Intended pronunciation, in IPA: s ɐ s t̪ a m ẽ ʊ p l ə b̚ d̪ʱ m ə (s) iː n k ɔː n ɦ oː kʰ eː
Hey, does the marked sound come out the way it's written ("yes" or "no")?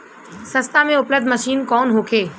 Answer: no